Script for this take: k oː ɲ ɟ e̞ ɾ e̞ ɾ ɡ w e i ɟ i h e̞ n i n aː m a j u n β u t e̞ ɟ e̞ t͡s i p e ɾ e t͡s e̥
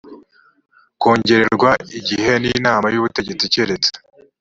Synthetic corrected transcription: k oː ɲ ɟ e̞ ɾ e̞ ɾ ɡ w a i ɟ i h e̞ n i n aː m a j u β u t e̞ ɟ e̞ t͡s i c e ɾ e t͡s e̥